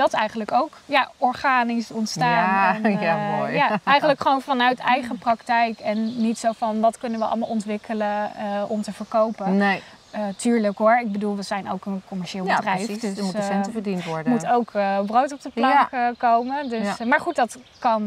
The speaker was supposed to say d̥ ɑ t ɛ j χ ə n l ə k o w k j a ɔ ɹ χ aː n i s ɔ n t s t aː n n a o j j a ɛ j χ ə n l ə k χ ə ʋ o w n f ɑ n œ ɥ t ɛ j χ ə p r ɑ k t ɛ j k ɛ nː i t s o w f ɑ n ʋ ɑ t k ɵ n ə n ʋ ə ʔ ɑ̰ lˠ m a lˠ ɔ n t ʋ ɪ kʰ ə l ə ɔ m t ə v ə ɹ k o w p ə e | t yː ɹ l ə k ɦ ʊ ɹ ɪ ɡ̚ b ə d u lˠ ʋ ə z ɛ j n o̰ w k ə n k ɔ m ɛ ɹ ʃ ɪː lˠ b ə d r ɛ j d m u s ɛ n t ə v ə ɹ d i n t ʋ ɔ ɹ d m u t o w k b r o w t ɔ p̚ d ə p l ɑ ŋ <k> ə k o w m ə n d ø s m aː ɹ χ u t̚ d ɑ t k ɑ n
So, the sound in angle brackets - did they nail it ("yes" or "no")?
yes